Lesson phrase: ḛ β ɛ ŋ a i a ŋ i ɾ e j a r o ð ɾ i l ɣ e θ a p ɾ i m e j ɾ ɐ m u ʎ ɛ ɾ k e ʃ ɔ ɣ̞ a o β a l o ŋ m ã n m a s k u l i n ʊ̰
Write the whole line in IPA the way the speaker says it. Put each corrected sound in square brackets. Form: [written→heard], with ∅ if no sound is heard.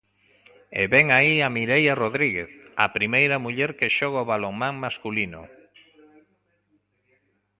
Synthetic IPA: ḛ β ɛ ŋ a i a [ŋ→m] i ɾ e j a r o ð ɾ i [l→∅] ɣ e θ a p ɾ i m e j ɾ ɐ m u ʎ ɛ ɾ k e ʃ ɔ ɣ̞ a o β a l o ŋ m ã [n→ŋ] m a s k u l i n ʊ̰